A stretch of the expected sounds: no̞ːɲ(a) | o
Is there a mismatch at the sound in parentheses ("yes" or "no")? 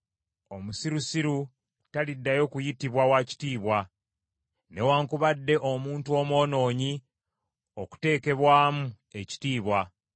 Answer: yes